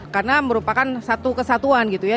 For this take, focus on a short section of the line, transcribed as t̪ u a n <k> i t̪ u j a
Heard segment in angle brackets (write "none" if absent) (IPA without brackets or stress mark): ɡ